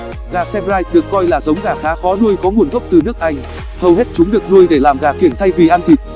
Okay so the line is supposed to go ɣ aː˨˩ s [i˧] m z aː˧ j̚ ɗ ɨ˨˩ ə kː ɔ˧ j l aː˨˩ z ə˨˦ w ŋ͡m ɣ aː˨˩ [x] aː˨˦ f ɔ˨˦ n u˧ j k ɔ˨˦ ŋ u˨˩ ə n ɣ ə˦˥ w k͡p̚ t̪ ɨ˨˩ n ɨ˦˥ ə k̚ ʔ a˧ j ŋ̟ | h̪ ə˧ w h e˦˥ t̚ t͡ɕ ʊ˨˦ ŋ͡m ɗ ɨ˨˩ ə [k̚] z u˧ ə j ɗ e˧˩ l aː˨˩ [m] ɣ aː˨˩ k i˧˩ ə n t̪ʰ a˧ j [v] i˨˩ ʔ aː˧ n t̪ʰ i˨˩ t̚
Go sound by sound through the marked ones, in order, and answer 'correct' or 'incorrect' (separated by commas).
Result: incorrect, correct, correct, correct, correct